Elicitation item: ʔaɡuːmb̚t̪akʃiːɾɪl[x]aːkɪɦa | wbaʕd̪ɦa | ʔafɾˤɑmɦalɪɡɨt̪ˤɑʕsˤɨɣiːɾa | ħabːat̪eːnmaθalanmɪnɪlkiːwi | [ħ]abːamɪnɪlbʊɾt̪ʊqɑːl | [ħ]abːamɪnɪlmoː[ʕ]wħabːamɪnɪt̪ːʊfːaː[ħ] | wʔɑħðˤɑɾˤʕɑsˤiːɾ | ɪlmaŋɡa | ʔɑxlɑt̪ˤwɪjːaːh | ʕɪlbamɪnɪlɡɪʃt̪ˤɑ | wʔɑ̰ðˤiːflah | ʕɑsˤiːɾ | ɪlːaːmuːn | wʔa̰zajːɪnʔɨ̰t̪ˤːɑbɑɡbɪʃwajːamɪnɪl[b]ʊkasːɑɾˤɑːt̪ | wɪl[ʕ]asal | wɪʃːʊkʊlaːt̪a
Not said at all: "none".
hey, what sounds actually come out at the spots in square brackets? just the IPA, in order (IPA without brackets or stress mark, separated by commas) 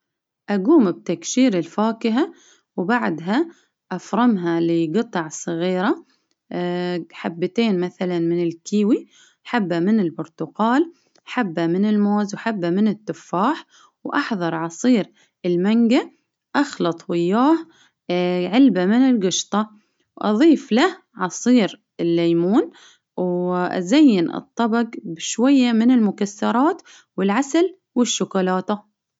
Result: f, ħ, ħ, z, ħ, m, ʕ